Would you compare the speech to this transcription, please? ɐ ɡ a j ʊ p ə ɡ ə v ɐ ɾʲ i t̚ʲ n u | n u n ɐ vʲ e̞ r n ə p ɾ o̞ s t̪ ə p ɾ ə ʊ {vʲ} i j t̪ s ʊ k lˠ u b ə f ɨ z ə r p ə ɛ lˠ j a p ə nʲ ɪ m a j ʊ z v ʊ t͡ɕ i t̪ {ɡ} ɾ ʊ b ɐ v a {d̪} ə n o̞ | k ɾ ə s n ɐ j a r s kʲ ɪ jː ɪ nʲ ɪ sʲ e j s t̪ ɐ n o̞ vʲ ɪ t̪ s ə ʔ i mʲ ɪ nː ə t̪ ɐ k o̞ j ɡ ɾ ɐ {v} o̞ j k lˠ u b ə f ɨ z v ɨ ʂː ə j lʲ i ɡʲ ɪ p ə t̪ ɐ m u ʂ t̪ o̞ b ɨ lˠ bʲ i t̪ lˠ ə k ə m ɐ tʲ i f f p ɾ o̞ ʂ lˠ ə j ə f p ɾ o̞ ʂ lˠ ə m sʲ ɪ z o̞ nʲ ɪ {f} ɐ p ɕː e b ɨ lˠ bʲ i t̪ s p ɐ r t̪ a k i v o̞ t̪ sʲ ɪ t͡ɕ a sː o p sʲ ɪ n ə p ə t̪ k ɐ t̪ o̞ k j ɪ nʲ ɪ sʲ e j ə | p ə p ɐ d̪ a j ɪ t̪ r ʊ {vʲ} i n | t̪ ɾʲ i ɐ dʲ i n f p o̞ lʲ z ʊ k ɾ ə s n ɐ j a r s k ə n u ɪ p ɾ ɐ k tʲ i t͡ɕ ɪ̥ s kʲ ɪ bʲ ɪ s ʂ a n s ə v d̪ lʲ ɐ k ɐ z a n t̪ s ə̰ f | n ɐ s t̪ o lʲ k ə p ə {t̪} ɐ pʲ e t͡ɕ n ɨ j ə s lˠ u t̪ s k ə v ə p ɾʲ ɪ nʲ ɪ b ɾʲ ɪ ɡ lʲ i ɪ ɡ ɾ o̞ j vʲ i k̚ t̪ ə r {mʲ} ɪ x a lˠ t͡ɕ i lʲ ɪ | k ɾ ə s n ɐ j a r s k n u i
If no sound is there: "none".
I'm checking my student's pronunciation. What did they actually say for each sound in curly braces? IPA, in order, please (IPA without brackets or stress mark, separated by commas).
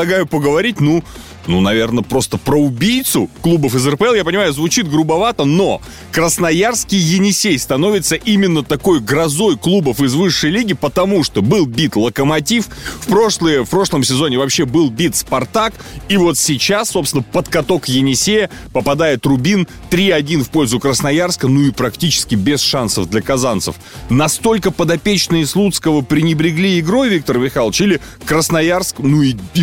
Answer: bʲ, ɡ, t̪, z, v, bʲ, d̪, mʲ